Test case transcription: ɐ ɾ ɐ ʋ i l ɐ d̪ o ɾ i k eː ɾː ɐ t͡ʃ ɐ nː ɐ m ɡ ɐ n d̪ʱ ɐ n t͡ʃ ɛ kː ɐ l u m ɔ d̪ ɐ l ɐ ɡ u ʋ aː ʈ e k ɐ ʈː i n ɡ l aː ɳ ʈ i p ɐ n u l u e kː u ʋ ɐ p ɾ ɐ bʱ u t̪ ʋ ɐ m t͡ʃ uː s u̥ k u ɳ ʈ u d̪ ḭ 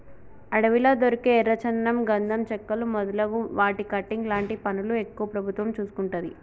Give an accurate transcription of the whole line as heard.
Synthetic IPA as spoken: ɐ ɽ ɐ ʋ i l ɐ d̪ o ɾ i k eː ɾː ɐ t͡ʃ ɐ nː ɐ m ɡ ɐ n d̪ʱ ɐ m t͡ʃ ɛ kː ɐ l u m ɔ d̪ ɐ l ɐ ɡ u ʋ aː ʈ i k ɐ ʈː i ŋ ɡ l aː ɳ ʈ i p ɐ n u l u e kː u ʋ ɐ p ɾ ɐ bʱ u t̪ ʋ ɐ m t͡ʃ uː s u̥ k u ɳ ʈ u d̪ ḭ